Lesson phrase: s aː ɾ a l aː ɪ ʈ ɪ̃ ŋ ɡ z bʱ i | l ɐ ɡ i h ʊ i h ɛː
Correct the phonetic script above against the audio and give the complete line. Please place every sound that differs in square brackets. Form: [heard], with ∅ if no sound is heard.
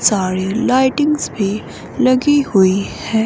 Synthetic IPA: s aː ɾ [i] l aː ɪ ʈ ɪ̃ ŋ ɡ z bʱ i | l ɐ ɡ i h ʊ i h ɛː